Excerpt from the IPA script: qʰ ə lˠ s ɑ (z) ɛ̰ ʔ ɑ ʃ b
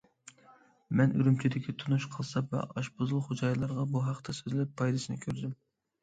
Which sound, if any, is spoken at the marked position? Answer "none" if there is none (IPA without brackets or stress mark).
v